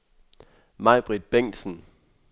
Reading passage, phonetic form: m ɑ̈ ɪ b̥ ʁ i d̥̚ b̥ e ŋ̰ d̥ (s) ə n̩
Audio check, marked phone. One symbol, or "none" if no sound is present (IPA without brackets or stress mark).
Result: s